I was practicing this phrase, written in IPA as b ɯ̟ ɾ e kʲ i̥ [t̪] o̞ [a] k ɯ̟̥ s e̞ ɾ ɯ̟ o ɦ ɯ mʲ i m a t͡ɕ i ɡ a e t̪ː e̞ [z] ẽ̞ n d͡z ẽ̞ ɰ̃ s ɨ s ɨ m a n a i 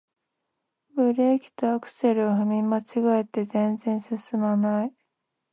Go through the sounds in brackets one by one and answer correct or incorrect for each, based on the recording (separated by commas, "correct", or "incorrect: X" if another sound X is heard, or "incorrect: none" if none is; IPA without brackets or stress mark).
correct, correct, correct